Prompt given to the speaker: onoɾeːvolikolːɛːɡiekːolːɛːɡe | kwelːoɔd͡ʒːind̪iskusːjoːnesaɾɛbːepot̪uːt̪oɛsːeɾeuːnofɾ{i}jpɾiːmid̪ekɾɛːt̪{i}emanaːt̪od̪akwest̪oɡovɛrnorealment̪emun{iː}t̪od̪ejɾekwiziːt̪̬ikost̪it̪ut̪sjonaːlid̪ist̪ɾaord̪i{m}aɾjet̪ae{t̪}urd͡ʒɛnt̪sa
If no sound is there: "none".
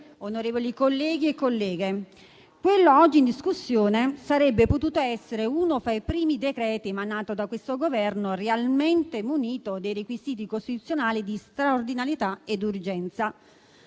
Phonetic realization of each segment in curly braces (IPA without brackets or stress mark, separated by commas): a, i, iː, n, d̪